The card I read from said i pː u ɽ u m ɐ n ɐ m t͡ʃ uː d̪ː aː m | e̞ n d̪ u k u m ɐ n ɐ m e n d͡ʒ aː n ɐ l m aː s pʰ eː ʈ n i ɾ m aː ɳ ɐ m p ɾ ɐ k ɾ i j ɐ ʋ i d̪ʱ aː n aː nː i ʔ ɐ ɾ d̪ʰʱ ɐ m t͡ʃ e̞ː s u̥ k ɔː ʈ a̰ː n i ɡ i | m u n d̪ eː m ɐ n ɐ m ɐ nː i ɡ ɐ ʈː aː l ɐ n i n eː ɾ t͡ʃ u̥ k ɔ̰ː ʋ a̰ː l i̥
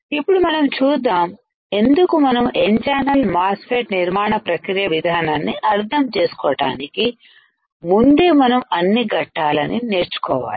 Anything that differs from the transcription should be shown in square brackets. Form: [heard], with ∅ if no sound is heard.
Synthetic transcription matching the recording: i pː u ɽ u m ɐ n ɐ m t͡ʃ uː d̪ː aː m | e̞ n d̪ u k u m ɐ n ɐ m e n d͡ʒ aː n ɐ l m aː s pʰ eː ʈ n i ɾ m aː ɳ ɐ [∅] p ɾ ɐ k ɾ i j ɐ ʋ i d̪ʱ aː n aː nː i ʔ ɐ ɾ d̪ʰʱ ɐ m t͡ʃ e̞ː s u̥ k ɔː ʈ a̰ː n i [k] i | m u n d̪ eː m ɐ n ɐ m ɐ nː i ɡ ɐ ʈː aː l ɐ n i n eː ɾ t͡ʃ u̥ k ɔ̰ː ʋ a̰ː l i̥